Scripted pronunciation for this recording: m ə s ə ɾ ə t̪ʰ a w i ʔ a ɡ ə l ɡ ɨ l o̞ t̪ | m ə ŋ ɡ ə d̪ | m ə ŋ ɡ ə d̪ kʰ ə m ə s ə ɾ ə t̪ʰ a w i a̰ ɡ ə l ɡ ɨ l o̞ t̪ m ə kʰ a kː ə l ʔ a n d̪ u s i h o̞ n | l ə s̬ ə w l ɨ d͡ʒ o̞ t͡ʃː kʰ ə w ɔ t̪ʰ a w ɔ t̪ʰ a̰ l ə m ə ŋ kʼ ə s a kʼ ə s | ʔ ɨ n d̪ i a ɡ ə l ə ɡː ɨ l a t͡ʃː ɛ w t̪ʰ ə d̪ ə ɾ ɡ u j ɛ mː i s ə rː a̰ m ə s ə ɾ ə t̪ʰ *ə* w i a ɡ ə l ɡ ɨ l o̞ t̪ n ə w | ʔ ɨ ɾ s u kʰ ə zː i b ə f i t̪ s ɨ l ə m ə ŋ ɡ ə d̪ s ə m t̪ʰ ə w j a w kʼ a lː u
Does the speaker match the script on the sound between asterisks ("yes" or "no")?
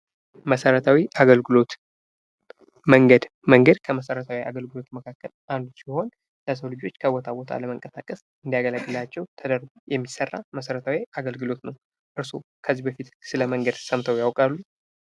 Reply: no